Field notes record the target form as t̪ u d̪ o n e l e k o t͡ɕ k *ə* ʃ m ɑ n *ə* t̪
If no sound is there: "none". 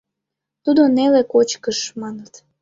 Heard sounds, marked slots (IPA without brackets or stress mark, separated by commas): ə, ə